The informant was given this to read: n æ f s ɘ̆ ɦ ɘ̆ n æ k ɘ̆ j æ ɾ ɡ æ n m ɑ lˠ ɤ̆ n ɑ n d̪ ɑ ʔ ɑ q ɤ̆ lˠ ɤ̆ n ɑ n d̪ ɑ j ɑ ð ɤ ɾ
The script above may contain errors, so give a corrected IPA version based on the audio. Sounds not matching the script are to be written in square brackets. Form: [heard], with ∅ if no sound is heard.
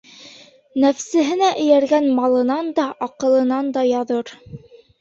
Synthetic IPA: n æ f s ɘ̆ ɦ ɘ̆ n æ [ʔ] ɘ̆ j æ ɾ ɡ æ n m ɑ lˠ ɤ̆ n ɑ n d̪ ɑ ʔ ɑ q ɤ̆ lˠ ɤ̆ n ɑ n d̪ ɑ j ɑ ð ɤ ɾ